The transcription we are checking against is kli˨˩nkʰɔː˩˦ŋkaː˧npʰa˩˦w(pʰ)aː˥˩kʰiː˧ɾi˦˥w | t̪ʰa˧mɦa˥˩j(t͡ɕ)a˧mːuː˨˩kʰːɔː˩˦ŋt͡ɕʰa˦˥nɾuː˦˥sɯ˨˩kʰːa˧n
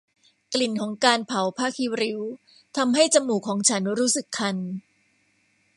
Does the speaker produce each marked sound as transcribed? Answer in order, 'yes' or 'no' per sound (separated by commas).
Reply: yes, yes